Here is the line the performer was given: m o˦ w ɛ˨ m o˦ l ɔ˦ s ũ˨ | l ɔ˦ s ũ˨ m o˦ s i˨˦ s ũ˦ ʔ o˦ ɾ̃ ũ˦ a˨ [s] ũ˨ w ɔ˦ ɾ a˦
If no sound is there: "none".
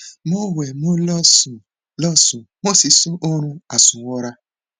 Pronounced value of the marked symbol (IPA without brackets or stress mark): s